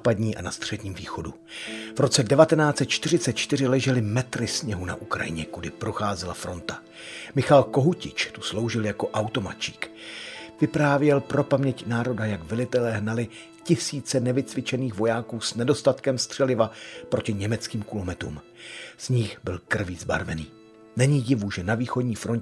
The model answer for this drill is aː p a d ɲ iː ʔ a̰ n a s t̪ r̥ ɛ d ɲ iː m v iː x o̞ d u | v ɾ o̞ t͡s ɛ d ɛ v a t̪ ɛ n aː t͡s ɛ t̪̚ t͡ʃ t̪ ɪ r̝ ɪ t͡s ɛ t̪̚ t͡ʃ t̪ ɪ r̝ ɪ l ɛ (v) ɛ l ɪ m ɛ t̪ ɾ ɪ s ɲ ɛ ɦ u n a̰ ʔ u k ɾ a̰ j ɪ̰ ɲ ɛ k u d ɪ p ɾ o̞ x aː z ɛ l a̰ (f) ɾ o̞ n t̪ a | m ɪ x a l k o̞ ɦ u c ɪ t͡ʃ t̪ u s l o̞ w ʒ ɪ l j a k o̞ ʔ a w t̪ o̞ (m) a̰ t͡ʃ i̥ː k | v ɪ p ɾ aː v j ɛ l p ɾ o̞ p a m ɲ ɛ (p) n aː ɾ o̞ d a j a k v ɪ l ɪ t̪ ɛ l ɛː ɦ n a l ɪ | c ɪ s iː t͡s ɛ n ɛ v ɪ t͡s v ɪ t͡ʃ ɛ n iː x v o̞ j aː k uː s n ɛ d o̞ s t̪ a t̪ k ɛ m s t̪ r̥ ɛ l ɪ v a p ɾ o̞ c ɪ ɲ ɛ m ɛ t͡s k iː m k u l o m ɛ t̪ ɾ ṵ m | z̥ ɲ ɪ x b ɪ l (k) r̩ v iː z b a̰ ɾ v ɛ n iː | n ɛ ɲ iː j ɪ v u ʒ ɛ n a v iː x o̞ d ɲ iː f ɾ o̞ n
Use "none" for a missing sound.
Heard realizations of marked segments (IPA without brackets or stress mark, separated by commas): ʒ, f, m, c, k